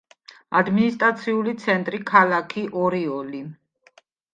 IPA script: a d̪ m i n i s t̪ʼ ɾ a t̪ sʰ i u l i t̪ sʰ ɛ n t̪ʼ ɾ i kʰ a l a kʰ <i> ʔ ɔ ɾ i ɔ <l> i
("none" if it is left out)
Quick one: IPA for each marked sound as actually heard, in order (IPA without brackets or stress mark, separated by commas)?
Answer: i, l